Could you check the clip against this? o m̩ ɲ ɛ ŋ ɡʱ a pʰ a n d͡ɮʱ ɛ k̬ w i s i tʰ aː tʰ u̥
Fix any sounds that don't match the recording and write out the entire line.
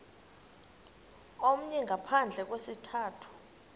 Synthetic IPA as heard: o m̩ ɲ ɛ ŋ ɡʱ a pʰ a n d͡ɮʱ ɛ k̬ w e s i tʰ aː tʰ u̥